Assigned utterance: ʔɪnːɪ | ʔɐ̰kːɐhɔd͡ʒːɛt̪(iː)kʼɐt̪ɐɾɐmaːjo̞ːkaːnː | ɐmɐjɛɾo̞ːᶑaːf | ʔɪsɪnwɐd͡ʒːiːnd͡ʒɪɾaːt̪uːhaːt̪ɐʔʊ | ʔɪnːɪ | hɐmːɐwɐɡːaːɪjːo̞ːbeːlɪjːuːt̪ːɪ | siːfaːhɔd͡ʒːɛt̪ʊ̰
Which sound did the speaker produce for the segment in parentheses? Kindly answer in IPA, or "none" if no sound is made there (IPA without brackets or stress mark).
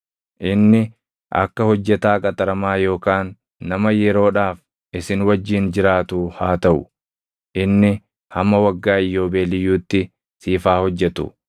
aː